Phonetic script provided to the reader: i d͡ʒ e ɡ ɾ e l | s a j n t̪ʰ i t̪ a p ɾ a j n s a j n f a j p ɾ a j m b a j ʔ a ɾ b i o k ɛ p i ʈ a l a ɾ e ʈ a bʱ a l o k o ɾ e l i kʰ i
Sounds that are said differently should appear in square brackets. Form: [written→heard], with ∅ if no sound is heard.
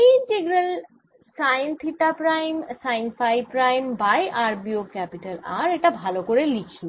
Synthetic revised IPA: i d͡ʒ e ɡ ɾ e l | s a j n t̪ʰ i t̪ a p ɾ a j [n→m] s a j n f a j p ɾ a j m b a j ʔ a ɾ b i o k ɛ p i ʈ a l a ɾ e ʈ a bʱ a l o k o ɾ e l i kʰ i

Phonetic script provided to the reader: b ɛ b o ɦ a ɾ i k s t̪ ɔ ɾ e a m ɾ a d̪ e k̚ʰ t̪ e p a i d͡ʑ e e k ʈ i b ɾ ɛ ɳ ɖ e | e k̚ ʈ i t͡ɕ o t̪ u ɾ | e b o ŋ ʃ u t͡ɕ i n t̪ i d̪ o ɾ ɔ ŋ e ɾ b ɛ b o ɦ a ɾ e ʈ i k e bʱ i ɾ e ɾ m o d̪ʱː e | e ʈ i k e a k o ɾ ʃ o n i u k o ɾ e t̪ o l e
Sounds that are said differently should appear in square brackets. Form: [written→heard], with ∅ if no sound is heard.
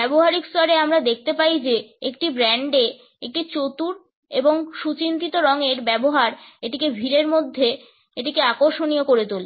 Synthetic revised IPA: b ɛ b o ɦ a ɾ i k s t̪ ɔ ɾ e a m ɾ a d̪ e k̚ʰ t̪ e p a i d͡ʑ e e k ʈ i b ɾ ɛ ɳ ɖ e | e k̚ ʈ i t͡ɕ o t̪ u ɾ | e b o ŋ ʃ u t͡ɕ i n t̪ i [d̪→t̪] o ɾ ɔ ŋ e ɾ b ɛ b o ɦ a ɾ e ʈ i k e bʱ i ɾ e ɾ m o d̪ʱː e | e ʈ i k e a k o ɾ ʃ o n i [u→o] k o ɾ e t̪ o l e

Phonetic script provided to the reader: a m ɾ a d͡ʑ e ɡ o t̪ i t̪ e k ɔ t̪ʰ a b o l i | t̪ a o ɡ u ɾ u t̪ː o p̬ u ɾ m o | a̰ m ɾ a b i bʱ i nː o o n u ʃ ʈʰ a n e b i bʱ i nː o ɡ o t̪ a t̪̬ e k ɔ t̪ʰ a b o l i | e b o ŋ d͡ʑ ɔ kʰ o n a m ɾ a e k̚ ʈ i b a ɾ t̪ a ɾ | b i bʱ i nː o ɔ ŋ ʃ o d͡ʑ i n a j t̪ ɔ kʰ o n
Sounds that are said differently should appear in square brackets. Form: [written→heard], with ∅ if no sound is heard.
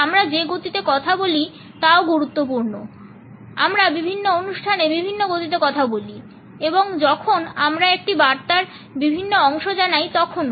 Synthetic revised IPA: a m ɾ a d͡ʑ e ɡ o t̪ i t̪ e k ɔ t̪ʰ a b o l i | t̪ a o ɡ u ɾ u t̪ː o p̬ u ɾ [m→n] o | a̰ m ɾ a b i bʱ i nː o o n u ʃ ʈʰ a n e b i bʱ i nː o ɡ o t̪ [a→i] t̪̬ e k ɔ t̪ʰ a b o l i | e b o ŋ d͡ʑ ɔ kʰ o n a m ɾ a e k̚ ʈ i b a ɾ t̪ a ɾ | b i bʱ i nː o ɔ ŋ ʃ o d͡ʑ [i→a] n a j t̪ ɔ kʰ o n

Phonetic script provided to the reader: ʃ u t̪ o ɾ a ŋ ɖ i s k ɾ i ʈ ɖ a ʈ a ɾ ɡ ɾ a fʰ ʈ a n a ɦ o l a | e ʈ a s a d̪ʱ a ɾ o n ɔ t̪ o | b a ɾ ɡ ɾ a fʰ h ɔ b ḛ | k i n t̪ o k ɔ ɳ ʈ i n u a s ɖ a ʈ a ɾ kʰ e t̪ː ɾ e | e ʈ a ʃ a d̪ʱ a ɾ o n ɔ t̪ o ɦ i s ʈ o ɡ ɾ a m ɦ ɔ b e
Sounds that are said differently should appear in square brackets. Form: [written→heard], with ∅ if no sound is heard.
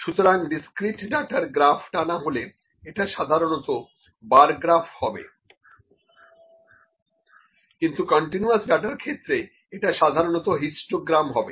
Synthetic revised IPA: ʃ u t̪ o ɾ a ŋ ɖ i s k ɾ i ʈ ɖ a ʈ a ɾ ɡ ɾ a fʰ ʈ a n a ɦ o l [a→e] | e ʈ a [s→ʃ] a d̪ʱ a ɾ o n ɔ t̪ o | b a ɾ ɡ ɾ a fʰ h ɔ b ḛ | k i n t̪ [o→u] k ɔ ɳ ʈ i n u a s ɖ a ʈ a ɾ kʰ e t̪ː ɾ e | e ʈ a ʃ a d̪ʱ a ɾ o n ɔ t̪ o ɦ i s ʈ o ɡ ɾ a m ɦ ɔ b e

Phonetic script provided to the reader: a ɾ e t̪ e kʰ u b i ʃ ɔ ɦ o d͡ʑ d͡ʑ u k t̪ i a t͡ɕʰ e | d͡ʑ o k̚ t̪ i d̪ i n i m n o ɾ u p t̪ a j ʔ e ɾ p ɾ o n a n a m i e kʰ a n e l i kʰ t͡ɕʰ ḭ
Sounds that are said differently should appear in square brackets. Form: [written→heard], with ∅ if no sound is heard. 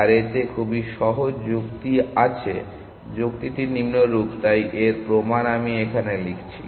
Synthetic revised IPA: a ɾ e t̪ e kʰ u b i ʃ ɔ ɦ o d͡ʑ d͡ʑ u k t̪ i a t͡ɕʰ e | d͡ʑ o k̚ t̪ i [d̪→t̪] i n i m n o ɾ u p t̪ a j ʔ e ɾ p ɾ o [n→m] a n a m i e kʰ a n e l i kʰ t͡ɕʰ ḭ

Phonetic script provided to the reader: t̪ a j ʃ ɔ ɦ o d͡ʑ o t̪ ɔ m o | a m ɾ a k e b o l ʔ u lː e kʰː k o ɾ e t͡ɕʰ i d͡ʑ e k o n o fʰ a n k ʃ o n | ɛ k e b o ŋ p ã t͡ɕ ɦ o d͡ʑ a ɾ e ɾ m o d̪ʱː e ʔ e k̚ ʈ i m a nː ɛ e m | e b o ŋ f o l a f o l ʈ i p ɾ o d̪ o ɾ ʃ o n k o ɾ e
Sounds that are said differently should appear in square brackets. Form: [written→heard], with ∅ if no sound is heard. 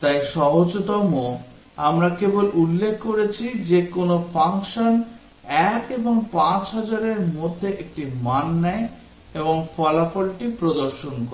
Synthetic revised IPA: t̪ a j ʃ ɔ ɦ o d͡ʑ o t̪ ɔ m o | a m ɾ a k e b o l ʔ u lː e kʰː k o ɾ e t͡ɕʰ i d͡ʑ e k o n o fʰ a [n→ŋ] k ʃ o n | ɛ k e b o ŋ p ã t͡ɕ ɦ [o→ɔ] d͡ʑ a ɾ e ɾ m o d̪ʱː e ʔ e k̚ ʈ i m a nː ɛ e [m→∅] | e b o ŋ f [o→ɔ] l a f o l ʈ i p ɾ o d̪ o ɾ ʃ o n k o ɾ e

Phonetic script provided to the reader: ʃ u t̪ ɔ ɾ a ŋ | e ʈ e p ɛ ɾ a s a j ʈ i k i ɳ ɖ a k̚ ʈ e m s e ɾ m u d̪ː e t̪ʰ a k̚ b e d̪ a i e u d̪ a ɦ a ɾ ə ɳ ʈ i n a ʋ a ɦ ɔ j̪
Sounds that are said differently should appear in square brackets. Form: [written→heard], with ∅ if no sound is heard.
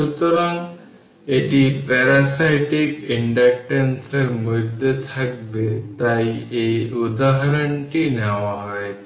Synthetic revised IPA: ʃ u t̪ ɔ ɾ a ŋ | e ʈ [e→i] p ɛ ɾ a s a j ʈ i k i ɳ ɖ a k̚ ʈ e [m→n] s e ɾ m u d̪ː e t̪ʰ a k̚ b e [d̪→t̪] a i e u d̪ a ɦ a ɾ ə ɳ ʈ i n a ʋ a ɦ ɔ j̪

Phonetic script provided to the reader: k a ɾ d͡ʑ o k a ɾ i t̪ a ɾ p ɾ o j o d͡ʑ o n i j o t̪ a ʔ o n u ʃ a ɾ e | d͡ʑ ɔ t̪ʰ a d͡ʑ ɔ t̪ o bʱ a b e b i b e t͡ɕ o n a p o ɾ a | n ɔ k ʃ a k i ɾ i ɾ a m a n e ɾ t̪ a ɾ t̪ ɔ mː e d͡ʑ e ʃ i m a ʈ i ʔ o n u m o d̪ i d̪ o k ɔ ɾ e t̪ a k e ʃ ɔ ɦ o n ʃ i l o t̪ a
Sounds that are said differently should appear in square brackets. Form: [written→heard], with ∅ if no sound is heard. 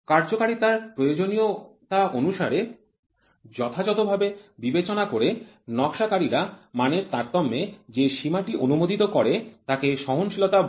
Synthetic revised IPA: k a ɾ d͡ʑ o k a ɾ i t̪ a ɾ p ɾ o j o d͡ʑ o n i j o t̪ a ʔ o n u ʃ a ɾ e | d͡ʑ ɔ t̪ʰ a d͡ʑ ɔ t̪ o bʱ a b e b i b e t͡ɕ o n a [p→k] o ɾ [a→e] | n ɔ k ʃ a k [i→a] ɾ i ɾ a m a n e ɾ t̪ a ɾ t̪ ɔ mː e d͡ʑ e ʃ i m a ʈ i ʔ o n u m o d̪ i [d̪→t̪] o k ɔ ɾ e t̪ a k e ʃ ɔ ɦ o n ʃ i l o t̪ a

